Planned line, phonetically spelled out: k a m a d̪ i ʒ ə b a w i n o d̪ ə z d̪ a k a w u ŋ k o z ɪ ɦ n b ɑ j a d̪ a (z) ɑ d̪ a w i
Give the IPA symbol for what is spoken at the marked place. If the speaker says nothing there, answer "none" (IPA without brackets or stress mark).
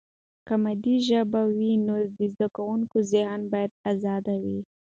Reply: z